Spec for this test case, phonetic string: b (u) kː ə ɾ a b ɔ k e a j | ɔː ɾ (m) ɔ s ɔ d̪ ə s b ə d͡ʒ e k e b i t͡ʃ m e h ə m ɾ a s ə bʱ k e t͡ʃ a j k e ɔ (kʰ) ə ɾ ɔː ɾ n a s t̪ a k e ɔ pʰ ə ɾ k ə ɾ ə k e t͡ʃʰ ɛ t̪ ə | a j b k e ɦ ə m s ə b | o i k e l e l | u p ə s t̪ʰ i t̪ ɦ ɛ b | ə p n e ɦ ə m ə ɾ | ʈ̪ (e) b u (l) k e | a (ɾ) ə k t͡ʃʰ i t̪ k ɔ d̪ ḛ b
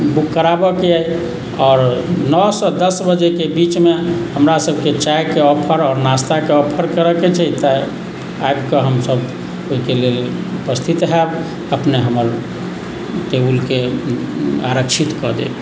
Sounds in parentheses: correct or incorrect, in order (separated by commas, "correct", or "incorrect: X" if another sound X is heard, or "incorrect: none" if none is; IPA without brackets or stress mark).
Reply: correct, incorrect: n, incorrect: pʰ, correct, correct, correct